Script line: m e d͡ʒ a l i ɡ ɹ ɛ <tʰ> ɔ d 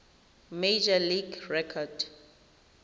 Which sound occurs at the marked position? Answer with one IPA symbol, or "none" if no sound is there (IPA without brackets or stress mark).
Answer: kʰ